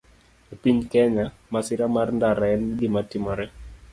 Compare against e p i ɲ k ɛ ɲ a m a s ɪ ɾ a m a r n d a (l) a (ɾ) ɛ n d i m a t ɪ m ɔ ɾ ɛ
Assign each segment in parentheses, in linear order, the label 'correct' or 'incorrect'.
incorrect: ɾ, incorrect: none

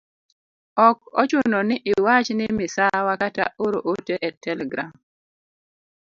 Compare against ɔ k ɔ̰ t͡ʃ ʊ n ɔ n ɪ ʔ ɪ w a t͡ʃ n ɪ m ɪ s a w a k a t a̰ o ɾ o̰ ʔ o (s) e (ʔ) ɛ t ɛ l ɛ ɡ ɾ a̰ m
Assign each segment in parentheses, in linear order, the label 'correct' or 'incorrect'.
incorrect: t, correct

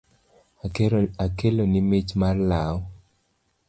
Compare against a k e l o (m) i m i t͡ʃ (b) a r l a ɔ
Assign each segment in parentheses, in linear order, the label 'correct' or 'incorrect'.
incorrect: n, incorrect: m

